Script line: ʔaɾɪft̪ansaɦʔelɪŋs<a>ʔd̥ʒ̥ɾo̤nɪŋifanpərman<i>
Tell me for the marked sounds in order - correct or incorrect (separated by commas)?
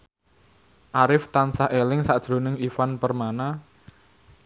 correct, incorrect